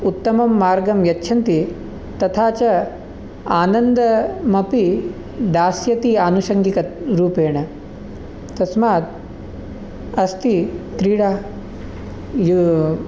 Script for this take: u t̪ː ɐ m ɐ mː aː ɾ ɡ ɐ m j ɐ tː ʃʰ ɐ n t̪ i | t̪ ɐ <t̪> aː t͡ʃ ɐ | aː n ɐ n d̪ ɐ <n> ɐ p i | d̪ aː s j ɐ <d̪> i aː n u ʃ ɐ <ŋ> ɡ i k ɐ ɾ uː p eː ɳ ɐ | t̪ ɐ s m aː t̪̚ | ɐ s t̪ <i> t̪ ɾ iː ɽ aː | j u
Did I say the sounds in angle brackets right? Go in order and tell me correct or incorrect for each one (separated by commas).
incorrect, incorrect, incorrect, correct, correct